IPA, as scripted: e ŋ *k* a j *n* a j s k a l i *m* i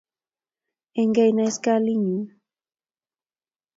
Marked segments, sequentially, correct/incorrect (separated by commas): incorrect, correct, incorrect